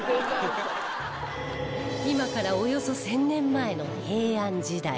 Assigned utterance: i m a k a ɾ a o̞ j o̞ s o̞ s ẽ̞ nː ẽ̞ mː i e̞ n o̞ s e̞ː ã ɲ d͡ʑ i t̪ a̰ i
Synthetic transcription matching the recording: i m a k a ɾ a o̞ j o̞ s o̞ s ẽ̞ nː ẽ̞ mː a e̞ n o̞ h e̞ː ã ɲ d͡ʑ i d̪ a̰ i